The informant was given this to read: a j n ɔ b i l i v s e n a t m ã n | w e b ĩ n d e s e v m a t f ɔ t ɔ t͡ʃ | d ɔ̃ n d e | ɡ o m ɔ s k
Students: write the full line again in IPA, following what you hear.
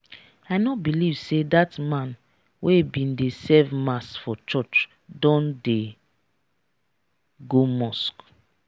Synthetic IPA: a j n ɔ b i l i v s e d a t m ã n | w e b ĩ n d e s ɛ v m a s f ɔ t͡ʃ ɔ t͡ʃ | d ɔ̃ n d e | ɡ o m ɔ s k